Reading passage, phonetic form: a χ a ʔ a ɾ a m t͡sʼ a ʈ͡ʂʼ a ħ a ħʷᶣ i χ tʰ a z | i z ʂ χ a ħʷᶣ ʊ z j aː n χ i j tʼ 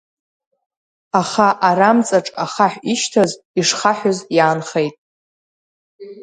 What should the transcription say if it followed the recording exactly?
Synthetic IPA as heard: a χ a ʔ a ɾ a m t͡sʼ a ʈ͡ʂʼ a χ a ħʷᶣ i ʃ tʰ a z | i ʂ χ a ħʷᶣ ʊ z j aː n χ e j tʼ